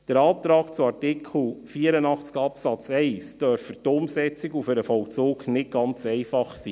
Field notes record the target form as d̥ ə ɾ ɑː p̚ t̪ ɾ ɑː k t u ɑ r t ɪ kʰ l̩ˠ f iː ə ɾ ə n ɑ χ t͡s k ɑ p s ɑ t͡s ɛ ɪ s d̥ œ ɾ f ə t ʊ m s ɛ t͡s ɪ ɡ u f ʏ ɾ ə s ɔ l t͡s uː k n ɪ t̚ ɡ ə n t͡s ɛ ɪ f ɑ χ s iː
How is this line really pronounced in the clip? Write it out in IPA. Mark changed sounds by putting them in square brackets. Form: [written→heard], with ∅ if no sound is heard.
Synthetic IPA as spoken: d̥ ə ɾ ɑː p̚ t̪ ɾ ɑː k [t→t͡s] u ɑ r t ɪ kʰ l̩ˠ f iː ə ɾ ə n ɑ χ t͡s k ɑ p s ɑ t͡s ɛ ɪ s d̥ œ ɾ f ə t ʊ m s ɛ t͡s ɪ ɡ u f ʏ ɾ ə [s→f] ɔ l t͡s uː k n ɪ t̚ ɡ [ə→ɑ] n t͡s ɛ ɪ f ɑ χ s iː